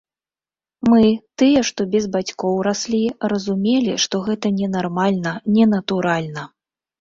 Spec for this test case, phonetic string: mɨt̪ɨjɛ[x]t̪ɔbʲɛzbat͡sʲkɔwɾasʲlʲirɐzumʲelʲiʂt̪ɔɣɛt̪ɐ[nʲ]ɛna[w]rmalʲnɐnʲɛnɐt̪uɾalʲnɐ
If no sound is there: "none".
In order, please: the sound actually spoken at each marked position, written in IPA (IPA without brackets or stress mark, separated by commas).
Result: ʂ, nʲ, none